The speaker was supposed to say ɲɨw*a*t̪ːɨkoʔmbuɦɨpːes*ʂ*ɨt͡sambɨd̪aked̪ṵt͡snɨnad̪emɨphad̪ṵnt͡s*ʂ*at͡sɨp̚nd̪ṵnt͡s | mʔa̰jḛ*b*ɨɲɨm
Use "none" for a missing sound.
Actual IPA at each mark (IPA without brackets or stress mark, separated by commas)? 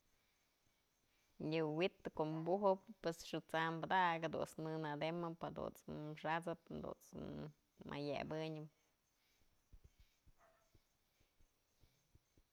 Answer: i, ʂ, ʂ, b